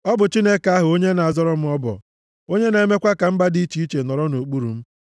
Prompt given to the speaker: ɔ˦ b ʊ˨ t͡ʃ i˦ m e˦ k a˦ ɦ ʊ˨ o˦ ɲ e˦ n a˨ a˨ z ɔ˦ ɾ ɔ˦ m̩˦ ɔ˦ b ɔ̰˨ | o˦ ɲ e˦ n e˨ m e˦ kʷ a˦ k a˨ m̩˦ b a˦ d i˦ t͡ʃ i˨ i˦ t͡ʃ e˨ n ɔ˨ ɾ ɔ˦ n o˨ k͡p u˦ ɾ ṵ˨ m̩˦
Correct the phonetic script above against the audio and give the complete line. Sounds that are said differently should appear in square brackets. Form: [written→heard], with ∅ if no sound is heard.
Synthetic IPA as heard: ɔ˦ b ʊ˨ t͡ʃ i˦ [m→n] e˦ k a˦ ɦ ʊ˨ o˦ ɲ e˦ n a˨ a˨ z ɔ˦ ɾ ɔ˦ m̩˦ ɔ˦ b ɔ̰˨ | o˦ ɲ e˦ n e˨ m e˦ kʷ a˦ k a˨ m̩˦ b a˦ d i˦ t͡ʃ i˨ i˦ t͡ʃ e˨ n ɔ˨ ɾ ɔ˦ n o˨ k͡p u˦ ɾ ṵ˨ m̩˦